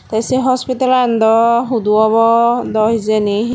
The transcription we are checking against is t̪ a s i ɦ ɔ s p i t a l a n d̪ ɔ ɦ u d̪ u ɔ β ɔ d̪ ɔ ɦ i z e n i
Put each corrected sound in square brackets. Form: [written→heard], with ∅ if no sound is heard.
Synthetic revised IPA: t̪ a s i ɦ ɔ s p i t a l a n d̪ ɔ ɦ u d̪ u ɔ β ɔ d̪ ɔ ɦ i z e n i